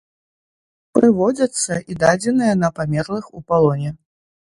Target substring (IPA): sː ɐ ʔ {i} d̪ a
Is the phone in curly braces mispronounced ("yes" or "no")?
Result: no